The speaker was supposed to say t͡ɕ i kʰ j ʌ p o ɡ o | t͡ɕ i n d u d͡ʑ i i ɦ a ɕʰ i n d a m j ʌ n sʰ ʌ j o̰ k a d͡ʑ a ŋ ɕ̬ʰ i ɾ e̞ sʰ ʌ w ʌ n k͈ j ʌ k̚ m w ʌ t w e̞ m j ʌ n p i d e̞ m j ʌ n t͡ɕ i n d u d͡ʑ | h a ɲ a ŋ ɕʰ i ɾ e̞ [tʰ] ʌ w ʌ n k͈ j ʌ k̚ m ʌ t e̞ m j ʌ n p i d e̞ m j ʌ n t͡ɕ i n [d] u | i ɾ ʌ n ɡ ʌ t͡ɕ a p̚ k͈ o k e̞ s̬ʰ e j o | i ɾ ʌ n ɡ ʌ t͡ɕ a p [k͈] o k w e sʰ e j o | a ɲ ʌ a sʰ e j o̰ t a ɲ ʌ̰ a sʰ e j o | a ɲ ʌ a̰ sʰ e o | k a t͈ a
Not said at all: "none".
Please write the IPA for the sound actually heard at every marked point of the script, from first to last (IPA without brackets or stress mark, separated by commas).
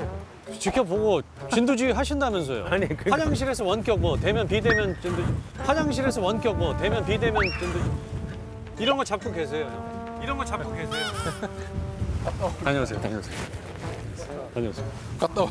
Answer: sʰ, d, k͈